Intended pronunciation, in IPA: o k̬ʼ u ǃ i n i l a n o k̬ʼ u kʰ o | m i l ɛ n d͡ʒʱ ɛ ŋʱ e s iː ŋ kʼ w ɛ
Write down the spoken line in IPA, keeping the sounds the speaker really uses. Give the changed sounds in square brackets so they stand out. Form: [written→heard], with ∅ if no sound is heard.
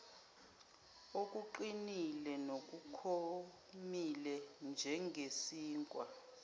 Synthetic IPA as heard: o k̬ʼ u ǃ i n i l [a→ɛ] n o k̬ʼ u kʰ o | m i l ɛ n d͡ʒʱ ɛ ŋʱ e s iː ŋ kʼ w [ɛ→a]